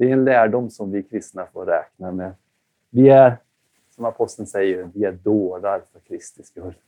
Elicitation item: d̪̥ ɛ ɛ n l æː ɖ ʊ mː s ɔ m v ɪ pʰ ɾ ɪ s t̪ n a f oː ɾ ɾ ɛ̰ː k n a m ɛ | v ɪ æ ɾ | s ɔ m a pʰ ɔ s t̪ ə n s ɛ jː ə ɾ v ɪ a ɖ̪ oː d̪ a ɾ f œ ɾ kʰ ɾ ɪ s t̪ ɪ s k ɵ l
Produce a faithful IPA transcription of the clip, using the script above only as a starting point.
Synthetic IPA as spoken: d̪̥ ɛ ɛ n l æː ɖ ʊ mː s ɔ m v ɪ kʰ ɾ ɪ s t̪ n a f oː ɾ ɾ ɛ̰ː k n a m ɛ | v ɪ æ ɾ | s ɔ m a pʰ ɔ s t̪ ə n s ɛ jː ə ɾ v ɪ æ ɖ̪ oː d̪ a ɾ f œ ɾ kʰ ɾ ɪ s t̪ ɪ s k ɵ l